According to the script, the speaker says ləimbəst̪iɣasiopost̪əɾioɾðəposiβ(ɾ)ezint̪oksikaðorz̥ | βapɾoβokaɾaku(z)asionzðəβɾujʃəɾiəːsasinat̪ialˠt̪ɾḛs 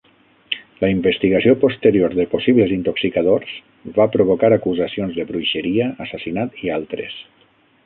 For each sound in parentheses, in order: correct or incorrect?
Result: incorrect, correct

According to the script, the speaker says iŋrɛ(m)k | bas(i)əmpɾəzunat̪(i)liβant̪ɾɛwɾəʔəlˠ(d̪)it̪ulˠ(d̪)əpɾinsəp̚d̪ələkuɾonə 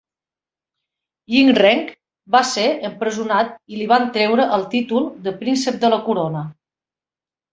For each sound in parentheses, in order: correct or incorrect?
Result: incorrect, incorrect, correct, incorrect, correct

